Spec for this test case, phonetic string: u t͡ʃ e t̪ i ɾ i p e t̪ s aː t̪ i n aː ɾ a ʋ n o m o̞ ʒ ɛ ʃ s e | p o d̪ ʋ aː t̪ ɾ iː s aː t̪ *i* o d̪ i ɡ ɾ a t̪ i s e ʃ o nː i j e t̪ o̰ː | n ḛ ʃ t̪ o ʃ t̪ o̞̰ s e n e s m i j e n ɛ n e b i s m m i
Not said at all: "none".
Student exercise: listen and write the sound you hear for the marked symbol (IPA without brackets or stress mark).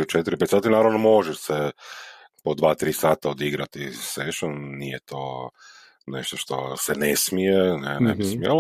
a